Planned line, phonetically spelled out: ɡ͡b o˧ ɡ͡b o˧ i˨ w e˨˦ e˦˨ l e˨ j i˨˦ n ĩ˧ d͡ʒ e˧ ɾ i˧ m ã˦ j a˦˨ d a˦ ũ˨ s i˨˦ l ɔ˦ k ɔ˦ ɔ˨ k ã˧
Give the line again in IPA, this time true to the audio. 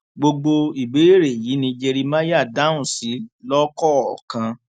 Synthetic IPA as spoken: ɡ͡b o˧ ɡ͡b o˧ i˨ b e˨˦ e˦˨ ɾ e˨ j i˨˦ n ĩ˧ d͡ʒ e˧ ɾ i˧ m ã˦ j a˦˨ d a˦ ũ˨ s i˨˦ l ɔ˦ k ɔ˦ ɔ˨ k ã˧

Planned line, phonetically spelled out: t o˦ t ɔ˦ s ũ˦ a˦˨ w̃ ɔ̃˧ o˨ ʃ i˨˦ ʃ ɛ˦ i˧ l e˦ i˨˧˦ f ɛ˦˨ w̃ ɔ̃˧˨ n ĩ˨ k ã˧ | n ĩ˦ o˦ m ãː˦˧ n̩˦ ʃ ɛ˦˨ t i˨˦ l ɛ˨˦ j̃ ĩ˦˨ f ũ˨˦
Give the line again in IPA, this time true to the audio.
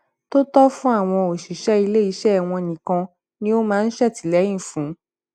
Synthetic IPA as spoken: t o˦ t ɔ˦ f ũ˦ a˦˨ w̃ ɔ̃˧ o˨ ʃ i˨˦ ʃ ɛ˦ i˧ l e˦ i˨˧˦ ʃ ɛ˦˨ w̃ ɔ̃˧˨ n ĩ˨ k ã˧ | n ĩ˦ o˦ m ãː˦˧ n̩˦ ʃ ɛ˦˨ t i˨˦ l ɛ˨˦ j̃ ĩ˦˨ f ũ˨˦

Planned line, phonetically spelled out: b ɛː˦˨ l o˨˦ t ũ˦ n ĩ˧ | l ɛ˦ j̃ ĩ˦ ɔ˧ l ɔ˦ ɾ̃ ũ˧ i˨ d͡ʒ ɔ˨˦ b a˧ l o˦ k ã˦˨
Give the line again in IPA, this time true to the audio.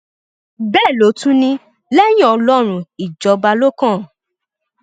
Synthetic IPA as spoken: b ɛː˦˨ l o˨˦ t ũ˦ n ĩ˧ | l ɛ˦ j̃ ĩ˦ ɔ˧ l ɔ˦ ɾ̃ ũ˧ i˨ d͡ʒ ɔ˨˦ b a˧ l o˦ k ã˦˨

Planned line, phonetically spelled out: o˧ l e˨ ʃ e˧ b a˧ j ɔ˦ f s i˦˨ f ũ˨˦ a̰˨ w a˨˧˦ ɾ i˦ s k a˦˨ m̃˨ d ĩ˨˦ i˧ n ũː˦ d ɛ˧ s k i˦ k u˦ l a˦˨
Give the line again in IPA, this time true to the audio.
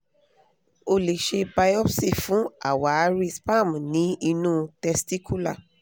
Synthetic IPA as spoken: o˧ l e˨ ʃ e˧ b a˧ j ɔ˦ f s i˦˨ f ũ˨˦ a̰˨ w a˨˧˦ ɾ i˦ s p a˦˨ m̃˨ n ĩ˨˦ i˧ n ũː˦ t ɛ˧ s t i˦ k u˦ l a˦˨

